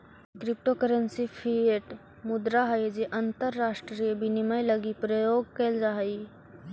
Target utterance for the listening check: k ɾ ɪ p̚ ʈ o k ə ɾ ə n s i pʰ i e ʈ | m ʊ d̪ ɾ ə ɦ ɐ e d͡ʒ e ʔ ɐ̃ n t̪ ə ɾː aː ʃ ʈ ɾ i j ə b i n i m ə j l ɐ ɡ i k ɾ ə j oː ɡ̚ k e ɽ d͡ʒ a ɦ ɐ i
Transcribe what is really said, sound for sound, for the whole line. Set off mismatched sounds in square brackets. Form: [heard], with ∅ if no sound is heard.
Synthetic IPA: k ɾ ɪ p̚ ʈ o k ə ɾ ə n s i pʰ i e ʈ | m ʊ d̪ ɾ [a] ɦ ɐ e d͡ʒ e ʔ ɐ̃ n t̪ ə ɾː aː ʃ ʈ ɾ i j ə b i n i m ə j l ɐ ɡ i [p] ɾ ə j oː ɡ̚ k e [l] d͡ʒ a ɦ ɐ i